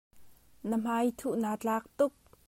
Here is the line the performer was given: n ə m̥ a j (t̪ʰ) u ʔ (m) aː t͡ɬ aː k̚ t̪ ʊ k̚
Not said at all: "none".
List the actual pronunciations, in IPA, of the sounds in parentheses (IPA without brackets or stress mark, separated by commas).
t̪ʰ, n